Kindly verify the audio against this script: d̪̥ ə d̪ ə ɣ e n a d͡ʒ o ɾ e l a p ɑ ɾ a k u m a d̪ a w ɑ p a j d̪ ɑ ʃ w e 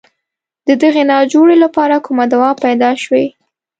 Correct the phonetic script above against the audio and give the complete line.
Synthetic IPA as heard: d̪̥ ə d̪ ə ɣ e n ɑ d͡ʒ o ɽ e l a p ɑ ɾ a k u m a d̪ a w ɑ p a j d̪ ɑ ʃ w e